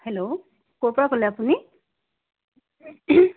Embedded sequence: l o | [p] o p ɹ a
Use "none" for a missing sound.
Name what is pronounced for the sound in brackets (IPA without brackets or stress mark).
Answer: k